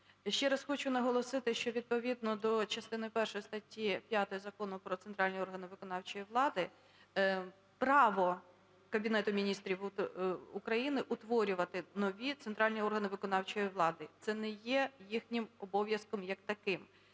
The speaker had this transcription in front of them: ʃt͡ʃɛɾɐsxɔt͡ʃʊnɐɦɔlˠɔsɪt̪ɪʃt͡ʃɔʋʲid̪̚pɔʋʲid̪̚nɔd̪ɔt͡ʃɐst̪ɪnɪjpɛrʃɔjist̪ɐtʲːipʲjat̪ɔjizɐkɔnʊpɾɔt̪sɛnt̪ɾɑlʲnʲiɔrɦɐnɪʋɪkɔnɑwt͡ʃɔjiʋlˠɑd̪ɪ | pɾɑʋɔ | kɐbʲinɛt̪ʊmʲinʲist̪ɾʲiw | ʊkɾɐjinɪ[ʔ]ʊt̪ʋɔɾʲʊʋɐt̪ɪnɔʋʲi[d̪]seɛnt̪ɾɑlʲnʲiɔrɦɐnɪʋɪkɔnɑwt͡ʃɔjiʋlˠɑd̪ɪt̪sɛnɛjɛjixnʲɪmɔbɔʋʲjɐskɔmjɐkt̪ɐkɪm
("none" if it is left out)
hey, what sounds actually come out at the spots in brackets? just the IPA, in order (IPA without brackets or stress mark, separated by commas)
ʔ, t̪